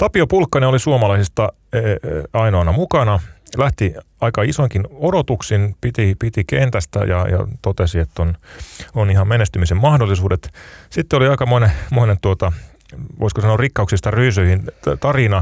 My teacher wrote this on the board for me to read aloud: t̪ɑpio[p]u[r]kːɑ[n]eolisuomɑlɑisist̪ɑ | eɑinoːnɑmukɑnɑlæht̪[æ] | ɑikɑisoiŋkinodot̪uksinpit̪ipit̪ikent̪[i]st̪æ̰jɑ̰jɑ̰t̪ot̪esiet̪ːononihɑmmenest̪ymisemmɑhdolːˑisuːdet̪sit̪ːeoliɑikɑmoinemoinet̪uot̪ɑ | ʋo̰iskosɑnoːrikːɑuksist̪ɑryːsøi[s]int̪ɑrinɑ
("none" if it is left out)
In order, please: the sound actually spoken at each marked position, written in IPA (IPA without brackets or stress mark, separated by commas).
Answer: p, l, n, i, æ, h